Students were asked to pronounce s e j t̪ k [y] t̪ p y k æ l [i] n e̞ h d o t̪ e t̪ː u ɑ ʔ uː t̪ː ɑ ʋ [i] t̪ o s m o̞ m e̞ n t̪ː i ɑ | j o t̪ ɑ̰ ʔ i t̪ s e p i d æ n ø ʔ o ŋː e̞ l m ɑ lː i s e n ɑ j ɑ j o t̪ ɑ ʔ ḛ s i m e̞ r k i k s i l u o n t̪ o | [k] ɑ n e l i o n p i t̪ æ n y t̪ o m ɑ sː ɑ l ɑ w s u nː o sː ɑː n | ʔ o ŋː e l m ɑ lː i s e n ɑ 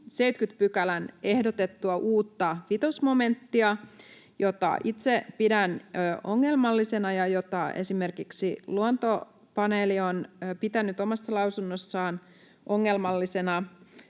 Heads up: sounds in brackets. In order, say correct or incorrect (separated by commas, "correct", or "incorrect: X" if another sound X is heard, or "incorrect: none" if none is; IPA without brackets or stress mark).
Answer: correct, incorrect: æ, correct, incorrect: p